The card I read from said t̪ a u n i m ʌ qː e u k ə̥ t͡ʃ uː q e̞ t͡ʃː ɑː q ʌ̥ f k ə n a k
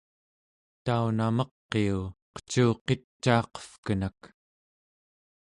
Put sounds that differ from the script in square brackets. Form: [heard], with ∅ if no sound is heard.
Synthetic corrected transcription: t̪ a u n [a] m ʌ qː e u [q] ə̥ t͡ʃ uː q e̞ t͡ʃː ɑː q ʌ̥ f k ə n a k